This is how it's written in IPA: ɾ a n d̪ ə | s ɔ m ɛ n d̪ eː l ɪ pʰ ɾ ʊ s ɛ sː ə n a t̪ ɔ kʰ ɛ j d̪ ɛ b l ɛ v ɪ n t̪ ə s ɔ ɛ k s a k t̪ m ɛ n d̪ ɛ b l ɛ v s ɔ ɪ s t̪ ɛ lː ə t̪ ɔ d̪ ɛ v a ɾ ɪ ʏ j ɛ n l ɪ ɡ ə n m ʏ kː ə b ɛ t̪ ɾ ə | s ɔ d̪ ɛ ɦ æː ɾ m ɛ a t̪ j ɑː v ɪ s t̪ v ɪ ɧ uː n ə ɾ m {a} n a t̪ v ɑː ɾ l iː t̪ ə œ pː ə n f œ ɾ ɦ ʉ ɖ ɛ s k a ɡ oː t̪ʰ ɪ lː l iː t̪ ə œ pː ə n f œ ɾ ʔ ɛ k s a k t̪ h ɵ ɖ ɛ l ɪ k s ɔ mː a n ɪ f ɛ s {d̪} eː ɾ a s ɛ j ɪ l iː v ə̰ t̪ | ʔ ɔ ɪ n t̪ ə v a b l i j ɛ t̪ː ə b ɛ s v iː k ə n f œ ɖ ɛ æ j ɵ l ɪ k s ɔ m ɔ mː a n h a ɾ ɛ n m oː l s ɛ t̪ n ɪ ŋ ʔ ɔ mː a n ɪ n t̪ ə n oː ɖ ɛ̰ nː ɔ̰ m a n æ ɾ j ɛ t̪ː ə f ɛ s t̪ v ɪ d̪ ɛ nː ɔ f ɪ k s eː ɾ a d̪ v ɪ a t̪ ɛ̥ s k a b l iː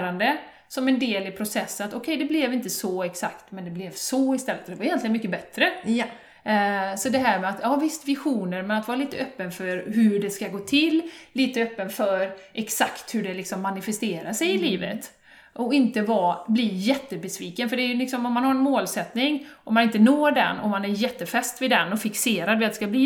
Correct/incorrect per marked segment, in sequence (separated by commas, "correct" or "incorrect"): incorrect, incorrect